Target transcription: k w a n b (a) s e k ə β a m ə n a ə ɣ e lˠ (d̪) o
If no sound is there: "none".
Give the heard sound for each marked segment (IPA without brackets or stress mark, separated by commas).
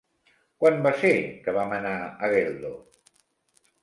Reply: a, d̪